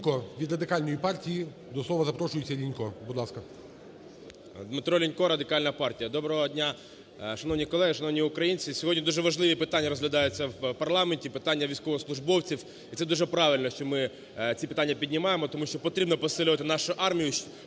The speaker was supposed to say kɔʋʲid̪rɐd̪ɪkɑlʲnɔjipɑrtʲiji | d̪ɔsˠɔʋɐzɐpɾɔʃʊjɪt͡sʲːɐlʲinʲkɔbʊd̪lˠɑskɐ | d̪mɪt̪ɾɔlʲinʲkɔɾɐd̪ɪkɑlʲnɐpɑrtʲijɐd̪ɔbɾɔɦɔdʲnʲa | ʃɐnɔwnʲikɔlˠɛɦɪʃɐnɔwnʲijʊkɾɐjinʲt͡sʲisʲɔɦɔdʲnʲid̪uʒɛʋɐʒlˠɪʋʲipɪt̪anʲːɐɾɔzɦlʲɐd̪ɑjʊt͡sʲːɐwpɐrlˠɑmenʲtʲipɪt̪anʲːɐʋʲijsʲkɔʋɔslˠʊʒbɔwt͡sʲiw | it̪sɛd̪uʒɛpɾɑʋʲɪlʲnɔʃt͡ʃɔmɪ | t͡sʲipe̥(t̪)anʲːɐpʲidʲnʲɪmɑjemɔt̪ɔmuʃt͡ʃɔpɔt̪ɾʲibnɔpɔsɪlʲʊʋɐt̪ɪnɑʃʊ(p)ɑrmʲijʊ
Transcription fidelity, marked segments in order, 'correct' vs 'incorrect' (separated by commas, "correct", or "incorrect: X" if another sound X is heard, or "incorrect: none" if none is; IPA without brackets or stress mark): correct, incorrect: ʔ